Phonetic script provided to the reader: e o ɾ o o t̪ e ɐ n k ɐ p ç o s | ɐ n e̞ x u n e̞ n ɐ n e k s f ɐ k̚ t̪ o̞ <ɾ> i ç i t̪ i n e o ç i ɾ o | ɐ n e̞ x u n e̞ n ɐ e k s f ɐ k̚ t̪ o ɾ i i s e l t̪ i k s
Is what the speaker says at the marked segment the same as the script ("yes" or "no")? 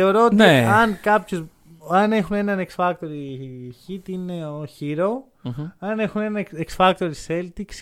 yes